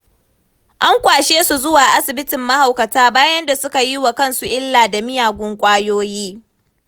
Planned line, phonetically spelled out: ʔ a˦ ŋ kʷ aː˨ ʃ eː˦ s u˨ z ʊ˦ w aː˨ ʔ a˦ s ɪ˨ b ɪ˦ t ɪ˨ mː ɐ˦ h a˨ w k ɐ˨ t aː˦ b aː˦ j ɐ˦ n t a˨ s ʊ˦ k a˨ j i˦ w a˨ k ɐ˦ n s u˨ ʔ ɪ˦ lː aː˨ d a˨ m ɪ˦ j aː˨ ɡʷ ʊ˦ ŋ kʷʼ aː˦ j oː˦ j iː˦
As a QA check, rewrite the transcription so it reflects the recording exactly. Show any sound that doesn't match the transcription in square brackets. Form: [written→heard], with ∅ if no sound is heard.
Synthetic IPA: ʔ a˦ ŋ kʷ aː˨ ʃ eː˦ s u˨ z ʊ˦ w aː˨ ʔ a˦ s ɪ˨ b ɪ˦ t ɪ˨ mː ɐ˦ h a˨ w k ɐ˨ t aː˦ b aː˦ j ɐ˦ n [t→d] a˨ s ʊ˦ k a˨ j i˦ w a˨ k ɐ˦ n s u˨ ʔ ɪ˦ lː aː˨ d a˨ m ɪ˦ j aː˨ ɡʷ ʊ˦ ŋ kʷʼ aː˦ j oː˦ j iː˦